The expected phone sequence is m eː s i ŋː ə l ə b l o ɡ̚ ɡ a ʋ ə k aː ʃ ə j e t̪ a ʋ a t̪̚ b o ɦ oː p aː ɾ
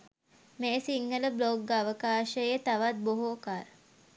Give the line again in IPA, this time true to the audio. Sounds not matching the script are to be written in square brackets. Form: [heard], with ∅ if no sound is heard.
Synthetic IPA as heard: m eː s i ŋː ə l ə b l o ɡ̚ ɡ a ʋ ə k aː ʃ ə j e t̪ a ʋ a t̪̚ b o ɦ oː [k] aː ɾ